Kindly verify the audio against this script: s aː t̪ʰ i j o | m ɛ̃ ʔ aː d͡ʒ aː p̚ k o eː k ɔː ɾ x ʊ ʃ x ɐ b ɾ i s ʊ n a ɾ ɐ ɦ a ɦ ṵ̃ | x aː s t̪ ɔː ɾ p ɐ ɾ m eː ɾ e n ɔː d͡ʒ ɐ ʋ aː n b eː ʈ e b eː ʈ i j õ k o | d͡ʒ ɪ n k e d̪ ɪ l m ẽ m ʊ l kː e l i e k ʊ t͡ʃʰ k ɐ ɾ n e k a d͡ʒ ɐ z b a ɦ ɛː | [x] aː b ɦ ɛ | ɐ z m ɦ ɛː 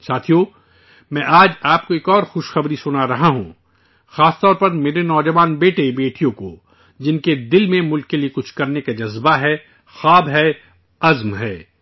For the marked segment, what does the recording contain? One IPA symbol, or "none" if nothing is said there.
x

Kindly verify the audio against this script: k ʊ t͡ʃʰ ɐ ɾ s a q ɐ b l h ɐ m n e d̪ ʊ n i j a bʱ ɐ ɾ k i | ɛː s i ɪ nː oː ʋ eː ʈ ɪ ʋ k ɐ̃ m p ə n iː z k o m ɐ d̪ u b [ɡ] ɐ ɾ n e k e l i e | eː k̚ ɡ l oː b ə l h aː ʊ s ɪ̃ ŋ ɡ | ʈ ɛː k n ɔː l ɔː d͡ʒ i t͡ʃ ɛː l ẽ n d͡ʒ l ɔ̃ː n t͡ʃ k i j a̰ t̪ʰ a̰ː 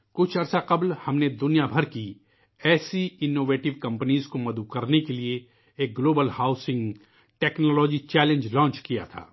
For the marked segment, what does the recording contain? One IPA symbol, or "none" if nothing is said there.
k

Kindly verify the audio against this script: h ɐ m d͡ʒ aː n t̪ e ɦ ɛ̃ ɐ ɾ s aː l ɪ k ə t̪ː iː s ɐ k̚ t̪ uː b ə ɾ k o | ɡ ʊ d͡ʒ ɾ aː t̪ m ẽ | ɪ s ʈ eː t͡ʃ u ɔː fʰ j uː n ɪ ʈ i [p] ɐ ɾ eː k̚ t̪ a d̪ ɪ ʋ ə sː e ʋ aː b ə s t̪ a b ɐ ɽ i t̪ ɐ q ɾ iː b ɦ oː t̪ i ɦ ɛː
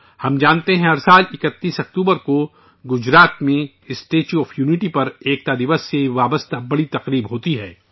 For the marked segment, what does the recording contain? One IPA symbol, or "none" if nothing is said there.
p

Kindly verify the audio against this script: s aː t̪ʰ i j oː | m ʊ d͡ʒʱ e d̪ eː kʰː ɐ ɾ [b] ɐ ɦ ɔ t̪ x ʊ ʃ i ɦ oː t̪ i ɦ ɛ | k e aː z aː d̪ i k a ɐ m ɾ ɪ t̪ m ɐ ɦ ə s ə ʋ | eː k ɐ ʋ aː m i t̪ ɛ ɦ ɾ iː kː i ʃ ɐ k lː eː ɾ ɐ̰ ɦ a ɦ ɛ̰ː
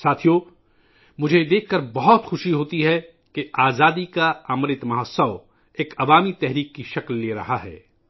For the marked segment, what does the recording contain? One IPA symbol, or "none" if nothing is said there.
b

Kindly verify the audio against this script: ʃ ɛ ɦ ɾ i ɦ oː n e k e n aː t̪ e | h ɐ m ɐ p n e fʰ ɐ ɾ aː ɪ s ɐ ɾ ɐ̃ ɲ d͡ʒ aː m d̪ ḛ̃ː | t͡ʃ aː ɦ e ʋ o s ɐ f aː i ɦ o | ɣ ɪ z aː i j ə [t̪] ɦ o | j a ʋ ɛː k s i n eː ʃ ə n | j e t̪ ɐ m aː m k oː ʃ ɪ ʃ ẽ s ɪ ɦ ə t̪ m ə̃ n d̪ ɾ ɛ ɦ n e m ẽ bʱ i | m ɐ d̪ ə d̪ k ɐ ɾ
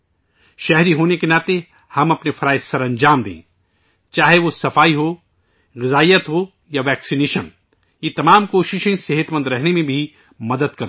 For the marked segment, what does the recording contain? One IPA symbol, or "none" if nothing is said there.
t̪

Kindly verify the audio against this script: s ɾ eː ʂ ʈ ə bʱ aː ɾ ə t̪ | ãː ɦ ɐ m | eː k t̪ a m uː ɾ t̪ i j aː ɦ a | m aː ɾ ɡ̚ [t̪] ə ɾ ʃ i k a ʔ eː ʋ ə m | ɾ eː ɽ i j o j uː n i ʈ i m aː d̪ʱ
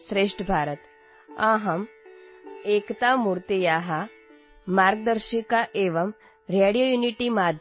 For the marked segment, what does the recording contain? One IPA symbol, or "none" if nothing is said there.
d̪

